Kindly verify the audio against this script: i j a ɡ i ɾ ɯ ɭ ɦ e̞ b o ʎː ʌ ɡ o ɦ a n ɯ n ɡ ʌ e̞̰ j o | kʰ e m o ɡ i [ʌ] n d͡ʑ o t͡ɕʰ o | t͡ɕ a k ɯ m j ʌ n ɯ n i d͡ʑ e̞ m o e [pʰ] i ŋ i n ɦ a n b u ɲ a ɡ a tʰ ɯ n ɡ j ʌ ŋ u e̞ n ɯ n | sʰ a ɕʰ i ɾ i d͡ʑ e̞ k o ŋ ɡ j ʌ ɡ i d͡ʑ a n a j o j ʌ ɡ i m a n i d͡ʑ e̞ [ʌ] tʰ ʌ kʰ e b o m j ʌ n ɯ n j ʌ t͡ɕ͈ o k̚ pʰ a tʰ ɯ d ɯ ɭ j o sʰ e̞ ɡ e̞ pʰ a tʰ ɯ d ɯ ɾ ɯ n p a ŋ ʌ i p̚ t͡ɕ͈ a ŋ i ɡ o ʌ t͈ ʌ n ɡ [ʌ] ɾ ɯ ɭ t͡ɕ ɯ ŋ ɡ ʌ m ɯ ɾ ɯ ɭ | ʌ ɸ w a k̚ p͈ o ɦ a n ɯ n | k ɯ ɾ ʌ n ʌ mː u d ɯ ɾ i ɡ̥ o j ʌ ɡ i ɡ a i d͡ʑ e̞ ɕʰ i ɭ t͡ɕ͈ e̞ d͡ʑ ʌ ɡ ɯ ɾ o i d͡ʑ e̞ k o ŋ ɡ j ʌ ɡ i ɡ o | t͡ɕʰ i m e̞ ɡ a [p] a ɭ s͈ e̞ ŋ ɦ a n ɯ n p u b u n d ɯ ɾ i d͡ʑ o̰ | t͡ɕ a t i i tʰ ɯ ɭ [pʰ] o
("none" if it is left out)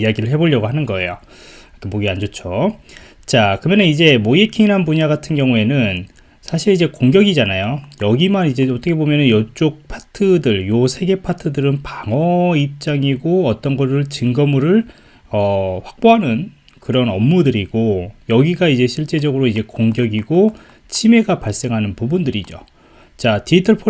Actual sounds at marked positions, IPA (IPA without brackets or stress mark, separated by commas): a, kʰ, ʌ, ʌ, p, pʰ